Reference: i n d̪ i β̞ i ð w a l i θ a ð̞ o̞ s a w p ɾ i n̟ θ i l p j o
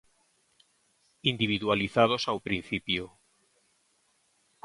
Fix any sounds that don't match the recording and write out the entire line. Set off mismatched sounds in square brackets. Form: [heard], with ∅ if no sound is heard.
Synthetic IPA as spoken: i n d̪ i β̞ i ð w a l i θ a ð̞ o̞ s a w p ɾ i n̟ θ i [∅] p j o